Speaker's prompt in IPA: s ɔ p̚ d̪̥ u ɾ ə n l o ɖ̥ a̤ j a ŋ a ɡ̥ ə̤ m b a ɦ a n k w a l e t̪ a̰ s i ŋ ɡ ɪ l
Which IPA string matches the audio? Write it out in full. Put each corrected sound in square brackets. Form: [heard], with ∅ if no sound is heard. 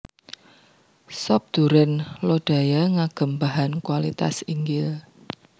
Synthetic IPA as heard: s ɔ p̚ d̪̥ u ɾ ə n l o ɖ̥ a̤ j a ŋ a ɡ̥ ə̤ m b a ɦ a n k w a l [i] t̪ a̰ s i ŋ ɡ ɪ l